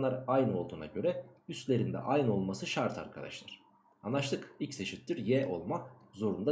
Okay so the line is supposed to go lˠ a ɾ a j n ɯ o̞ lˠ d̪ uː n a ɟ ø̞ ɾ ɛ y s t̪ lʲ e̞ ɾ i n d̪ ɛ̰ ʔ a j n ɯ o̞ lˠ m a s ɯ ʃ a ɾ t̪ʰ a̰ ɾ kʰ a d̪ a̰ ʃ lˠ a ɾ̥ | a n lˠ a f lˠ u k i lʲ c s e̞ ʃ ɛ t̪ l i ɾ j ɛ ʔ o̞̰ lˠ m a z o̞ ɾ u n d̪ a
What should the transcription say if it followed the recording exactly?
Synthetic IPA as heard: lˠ a ɾ a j n ɯ o̞ lˠ d̪ uː n a ɟ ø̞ ɾ ɛ y s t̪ lʲ e̞ ɾ i n d̪ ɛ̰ ʔ a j n ɯ o̞ lˠ m a s ɯ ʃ a ɾ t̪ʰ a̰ ɾ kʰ a d̪ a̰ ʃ lˠ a ɾ̥ | a n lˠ a ʃ lˠ ɯ k i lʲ c s e̞ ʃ i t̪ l i ɾ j ɛ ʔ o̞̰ lˠ m a z o̞ ɾ u n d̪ a